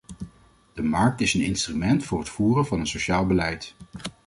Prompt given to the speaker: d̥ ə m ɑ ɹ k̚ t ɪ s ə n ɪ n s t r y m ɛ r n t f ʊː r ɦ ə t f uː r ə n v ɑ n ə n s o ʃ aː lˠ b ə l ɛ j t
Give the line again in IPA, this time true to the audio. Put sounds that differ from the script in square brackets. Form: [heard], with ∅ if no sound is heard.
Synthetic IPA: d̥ ə m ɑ ɹ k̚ t ɪ s ə n ɪ n s t r y m ɛ [∅] n t f ʊː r ɦ ə t f uː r ə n v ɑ n ə n s o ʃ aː lˠ b ə l ɛ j t